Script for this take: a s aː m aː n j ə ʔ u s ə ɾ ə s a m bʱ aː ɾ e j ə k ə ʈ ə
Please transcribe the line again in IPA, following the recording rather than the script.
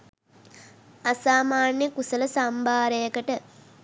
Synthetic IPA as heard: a s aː m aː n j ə k u s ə l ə s a m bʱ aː ɾ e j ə k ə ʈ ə